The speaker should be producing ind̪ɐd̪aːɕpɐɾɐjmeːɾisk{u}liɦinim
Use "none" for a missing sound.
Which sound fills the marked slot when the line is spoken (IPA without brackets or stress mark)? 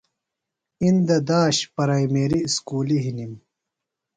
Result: uː